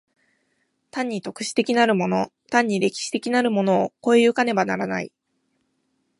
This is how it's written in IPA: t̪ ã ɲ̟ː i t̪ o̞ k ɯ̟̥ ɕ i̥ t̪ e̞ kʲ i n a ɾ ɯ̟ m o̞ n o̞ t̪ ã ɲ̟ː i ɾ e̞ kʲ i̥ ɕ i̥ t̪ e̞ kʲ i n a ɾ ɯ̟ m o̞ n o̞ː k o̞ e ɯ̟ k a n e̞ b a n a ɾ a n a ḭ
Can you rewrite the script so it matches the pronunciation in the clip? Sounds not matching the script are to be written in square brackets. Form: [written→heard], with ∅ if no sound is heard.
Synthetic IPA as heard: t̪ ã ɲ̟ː i t̪ o̞ k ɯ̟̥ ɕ i̥ t̪ e̞ kʲ i n a ɾ ɯ̟ m o̞ n o̞ t̪ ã ɲ̟ː i ɾ e̞ kʲ i̥ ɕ i̥ t̪ e̞ kʲ i n a ɾ ɯ̟ m o̞ n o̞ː k o̞ e ɯ̟ k a n e̞ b a n a ɾ a n a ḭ